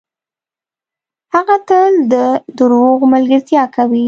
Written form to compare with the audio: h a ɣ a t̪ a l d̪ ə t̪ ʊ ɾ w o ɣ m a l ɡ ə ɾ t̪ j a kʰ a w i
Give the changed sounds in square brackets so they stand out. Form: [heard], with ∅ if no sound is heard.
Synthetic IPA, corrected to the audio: h a ɣ a t̪ [ə] l d̪ ə [d̪] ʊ ɾ w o ɣ m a l ɡ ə ɾ t̪ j [ɑ] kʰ a w i